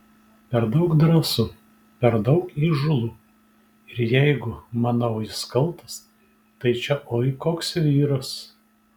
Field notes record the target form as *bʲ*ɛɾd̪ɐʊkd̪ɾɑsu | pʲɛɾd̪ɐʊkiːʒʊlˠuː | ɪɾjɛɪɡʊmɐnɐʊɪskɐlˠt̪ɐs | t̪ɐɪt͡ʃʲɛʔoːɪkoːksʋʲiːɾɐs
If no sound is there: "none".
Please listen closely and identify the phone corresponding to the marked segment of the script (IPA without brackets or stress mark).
pʲ